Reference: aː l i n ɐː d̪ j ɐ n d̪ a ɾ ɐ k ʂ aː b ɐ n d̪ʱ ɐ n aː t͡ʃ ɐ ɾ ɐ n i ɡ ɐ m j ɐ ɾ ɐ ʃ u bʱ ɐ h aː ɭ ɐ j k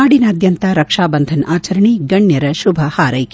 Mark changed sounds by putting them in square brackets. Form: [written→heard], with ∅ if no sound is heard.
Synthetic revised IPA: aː [l→ɽ] i n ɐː d̪ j ɐ n [d̪→t̪] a ɾ ɐ k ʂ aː b ɐ n d̪ʱ ɐ n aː t͡ʃ ɐ ɾ ɐ [n→ɳ] i ɡ ɐ [m→ɳ] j ɐ ɾ ɐ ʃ u bʱ ɐ h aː [ɭ→ɾ] ɐ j k